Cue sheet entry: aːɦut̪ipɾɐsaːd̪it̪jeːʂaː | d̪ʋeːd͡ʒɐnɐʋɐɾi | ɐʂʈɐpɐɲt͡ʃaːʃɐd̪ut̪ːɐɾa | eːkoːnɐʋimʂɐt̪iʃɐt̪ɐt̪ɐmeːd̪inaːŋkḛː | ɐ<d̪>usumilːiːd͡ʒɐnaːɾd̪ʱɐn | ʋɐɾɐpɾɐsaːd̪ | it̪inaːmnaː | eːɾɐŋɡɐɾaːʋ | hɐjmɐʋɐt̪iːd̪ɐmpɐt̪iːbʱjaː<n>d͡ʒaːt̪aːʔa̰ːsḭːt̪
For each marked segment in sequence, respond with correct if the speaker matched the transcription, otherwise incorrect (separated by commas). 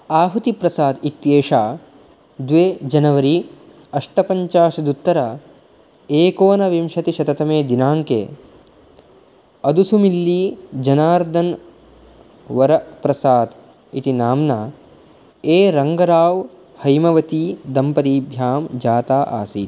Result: correct, incorrect